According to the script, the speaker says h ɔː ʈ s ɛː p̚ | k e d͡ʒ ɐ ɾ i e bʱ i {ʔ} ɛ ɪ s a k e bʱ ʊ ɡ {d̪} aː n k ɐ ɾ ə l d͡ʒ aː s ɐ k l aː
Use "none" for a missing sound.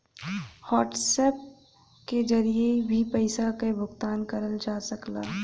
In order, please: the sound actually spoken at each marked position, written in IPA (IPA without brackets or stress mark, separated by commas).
p, t̪